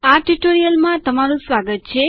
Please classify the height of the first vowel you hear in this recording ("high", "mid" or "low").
low